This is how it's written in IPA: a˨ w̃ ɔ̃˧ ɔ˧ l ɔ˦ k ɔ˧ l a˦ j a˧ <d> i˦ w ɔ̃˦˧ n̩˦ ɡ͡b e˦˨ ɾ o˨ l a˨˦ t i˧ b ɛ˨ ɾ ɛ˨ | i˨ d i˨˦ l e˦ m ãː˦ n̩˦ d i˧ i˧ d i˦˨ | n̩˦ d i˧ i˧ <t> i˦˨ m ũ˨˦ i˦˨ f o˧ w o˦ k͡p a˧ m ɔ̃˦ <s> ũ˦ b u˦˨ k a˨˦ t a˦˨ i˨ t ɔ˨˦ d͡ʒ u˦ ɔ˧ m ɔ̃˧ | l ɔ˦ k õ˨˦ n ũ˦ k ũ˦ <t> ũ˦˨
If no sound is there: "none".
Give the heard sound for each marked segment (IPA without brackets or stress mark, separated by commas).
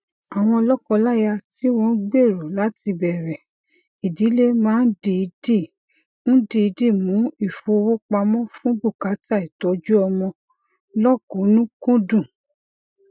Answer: t, d, f, d